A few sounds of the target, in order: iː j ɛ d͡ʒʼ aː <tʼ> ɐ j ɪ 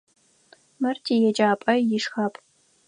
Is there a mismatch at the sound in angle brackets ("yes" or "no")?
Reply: yes